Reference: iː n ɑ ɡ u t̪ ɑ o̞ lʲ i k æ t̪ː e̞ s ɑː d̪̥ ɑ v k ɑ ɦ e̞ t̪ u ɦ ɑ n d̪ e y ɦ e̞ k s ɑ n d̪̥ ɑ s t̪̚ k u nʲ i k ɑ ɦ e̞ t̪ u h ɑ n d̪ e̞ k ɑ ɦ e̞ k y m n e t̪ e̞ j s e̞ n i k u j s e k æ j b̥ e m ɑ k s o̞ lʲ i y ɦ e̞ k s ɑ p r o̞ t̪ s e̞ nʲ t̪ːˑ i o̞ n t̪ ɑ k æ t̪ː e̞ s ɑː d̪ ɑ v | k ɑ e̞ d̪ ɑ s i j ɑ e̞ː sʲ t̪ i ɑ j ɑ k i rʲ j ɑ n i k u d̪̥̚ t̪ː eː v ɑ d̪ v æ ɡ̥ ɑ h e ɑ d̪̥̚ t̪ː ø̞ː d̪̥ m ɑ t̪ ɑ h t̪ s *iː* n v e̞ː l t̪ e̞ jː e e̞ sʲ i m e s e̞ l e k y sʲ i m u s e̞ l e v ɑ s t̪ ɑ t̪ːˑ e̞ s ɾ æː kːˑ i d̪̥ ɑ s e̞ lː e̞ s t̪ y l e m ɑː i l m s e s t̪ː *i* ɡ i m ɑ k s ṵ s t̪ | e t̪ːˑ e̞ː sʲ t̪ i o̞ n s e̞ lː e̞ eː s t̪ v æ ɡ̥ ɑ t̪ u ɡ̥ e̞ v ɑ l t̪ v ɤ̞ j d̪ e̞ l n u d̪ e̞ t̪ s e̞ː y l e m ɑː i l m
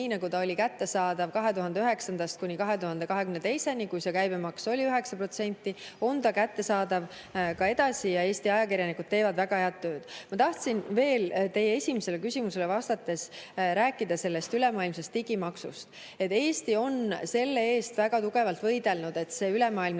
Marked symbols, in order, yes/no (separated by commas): no, yes